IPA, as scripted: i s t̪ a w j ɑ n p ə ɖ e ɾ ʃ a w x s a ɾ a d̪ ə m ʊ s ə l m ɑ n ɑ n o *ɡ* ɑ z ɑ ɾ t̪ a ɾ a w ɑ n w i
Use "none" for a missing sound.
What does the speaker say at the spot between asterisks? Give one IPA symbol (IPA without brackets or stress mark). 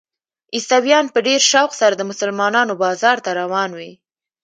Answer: b